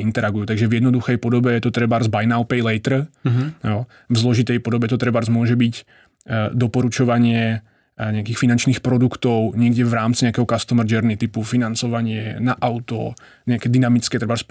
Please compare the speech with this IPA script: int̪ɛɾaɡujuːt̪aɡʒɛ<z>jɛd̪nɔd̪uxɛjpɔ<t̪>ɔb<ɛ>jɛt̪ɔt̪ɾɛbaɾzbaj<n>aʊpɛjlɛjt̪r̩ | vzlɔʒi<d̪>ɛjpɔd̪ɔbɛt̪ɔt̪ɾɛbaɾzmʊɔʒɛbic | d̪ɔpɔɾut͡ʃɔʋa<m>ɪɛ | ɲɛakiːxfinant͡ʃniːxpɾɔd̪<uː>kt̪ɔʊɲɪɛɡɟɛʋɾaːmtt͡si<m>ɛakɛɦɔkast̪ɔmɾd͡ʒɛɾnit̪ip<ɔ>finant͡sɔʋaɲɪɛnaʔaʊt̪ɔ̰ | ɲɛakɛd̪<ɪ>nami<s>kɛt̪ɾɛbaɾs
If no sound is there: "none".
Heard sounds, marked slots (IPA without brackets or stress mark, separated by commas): v, d̪, ɛ, n, t̪, ɲ, u, ɲ, u, i, t͡s